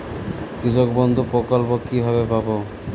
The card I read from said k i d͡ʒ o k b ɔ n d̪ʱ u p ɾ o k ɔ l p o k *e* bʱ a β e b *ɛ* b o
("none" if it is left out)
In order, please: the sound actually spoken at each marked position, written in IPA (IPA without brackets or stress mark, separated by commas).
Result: i, a